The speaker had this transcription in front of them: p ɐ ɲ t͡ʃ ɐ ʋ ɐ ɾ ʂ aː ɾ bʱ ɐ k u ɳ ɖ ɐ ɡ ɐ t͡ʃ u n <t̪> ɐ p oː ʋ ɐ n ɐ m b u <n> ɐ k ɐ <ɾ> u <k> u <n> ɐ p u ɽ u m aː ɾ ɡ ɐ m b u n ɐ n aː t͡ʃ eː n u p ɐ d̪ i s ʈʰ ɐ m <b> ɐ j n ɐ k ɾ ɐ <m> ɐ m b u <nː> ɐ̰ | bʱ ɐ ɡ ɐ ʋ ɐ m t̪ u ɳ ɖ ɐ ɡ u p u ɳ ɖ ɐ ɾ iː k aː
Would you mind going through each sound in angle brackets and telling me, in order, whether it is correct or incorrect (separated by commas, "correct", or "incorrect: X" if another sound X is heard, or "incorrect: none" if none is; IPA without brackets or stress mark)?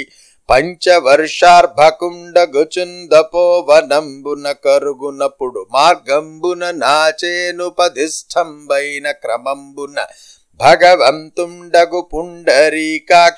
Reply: incorrect: d̪, correct, correct, incorrect: ɡ, correct, correct, correct, incorrect: n